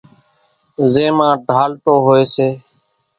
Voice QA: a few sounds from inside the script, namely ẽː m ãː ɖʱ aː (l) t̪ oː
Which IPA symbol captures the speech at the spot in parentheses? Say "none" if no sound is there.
l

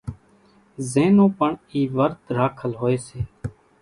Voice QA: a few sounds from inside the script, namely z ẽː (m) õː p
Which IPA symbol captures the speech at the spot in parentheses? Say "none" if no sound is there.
n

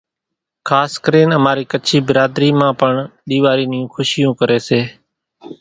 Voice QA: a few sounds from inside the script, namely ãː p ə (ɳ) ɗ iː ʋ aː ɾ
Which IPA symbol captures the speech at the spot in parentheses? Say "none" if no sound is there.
ɳ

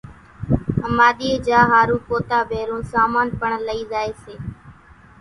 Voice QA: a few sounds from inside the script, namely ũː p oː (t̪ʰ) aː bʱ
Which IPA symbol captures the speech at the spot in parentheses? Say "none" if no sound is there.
t̪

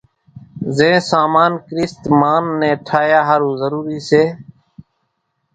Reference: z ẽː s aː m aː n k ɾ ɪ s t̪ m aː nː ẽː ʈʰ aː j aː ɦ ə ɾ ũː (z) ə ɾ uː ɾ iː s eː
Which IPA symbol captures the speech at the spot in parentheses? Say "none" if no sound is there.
z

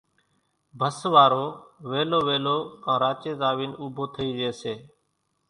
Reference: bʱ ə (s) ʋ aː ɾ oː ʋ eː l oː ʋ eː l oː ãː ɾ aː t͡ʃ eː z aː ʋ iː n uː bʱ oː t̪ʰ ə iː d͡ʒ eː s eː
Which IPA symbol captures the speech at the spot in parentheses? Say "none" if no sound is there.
s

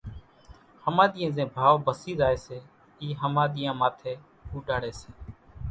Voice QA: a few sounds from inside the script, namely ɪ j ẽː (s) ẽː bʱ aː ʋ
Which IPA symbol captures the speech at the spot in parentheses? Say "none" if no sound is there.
z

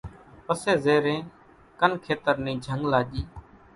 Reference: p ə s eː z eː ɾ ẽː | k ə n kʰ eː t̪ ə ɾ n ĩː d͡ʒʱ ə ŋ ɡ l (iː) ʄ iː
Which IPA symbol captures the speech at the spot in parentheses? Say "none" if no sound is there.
aː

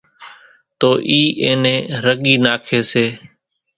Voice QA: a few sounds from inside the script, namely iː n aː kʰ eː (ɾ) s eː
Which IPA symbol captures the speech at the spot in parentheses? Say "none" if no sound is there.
none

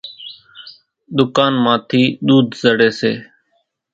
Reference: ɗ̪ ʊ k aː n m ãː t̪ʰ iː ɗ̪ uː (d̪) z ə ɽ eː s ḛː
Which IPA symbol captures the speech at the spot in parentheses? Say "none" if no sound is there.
d̪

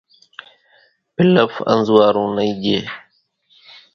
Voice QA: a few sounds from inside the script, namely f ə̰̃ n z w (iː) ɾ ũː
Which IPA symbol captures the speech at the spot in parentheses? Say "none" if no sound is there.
aː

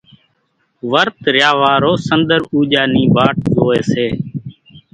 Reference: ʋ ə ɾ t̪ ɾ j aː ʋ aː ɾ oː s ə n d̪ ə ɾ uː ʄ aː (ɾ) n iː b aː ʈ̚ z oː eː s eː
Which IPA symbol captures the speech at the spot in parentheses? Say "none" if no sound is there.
none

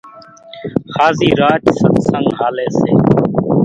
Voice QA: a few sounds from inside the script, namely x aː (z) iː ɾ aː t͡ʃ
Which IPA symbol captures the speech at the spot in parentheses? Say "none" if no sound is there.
z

